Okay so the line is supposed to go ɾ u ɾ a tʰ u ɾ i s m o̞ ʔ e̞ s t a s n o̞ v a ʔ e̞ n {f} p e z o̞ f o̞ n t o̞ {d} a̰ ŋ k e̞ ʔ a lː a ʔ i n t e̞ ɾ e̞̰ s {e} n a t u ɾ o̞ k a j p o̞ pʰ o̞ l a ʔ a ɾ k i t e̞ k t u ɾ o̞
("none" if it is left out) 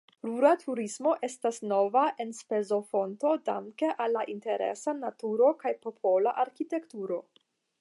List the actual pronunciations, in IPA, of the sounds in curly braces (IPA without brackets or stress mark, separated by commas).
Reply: s, d, a